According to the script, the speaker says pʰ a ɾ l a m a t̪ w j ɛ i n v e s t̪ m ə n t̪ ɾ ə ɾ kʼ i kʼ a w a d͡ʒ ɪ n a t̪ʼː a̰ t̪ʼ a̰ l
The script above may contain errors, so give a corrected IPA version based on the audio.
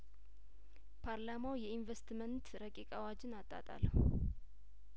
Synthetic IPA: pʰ a ɾ l a m a w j ɛ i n v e s t̪ m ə n t̪ ɾ ə kʼ i kʼ a w a d͡ʒ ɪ n a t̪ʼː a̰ t̪ʼ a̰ l